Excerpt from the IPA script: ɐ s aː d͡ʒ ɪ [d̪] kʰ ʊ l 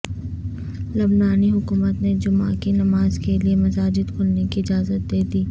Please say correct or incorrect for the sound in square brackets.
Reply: correct